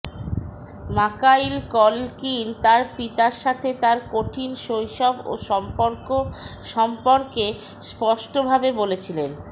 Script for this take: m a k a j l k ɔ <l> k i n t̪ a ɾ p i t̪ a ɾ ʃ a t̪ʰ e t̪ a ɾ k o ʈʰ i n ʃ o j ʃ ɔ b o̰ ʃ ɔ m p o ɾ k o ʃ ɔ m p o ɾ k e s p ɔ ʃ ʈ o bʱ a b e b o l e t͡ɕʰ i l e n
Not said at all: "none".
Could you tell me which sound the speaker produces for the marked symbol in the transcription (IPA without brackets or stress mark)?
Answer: l